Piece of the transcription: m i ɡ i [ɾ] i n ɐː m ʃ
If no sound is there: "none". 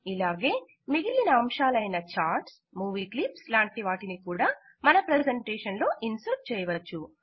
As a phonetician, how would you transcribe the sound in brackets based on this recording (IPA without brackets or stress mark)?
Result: l